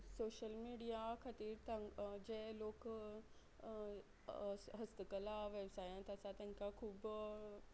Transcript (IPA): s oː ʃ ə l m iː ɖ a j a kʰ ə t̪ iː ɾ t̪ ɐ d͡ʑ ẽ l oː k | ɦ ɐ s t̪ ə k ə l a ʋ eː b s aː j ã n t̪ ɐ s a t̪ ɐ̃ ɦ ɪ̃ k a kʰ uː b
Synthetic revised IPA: s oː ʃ ə l m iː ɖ i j a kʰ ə t̪ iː ɾ t̪ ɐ d͡ʑ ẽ l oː k | ɦ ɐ s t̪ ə k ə l a ʋ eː b s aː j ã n t̪ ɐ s a t̪ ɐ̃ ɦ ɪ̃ k a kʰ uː b